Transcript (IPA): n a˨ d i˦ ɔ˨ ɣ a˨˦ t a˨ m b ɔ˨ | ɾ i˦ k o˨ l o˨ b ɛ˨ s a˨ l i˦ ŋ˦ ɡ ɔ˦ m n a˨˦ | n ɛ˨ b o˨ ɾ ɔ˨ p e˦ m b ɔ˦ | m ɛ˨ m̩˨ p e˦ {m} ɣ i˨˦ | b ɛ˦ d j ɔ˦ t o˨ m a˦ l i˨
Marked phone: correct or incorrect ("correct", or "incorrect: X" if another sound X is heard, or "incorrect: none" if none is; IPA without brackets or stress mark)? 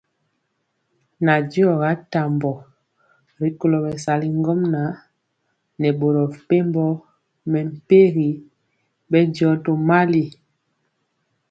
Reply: incorrect: none